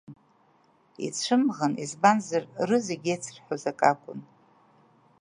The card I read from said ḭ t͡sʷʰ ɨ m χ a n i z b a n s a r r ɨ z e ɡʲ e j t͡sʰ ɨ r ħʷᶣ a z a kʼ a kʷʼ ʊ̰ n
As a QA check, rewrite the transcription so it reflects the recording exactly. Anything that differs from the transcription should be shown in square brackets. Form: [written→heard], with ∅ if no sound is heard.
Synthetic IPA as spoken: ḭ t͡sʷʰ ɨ m [χ→ʁ] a n i z b a n [s→z] a r r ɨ z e ɡʲ e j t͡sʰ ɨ r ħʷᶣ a z a kʼ a kʷʼ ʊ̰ n